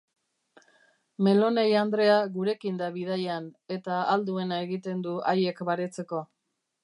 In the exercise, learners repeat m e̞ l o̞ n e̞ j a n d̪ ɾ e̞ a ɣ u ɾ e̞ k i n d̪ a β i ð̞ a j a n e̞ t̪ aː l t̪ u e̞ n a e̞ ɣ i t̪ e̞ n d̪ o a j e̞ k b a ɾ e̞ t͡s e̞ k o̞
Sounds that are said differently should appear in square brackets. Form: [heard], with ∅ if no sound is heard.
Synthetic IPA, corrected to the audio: m e̞ l o̞ n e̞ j a n d̪ ɾ e̞ a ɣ u ɾ e̞ k i n d̪ a β i ð̞ a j a n e̞ t̪ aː l [d̪] u e̞ n a e̞ ɣ i t̪ e̞ n d̪ [u] a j e̞ k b a ɾ e̞ t͡s e̞ k o̞